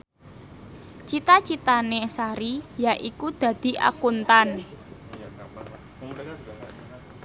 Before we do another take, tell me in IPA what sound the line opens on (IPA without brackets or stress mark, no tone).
t͡ʃ